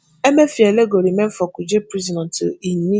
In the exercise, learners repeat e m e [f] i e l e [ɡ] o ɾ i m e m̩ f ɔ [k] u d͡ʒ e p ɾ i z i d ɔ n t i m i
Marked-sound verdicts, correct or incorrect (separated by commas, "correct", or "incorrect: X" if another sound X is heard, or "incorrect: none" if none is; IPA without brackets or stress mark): correct, correct, correct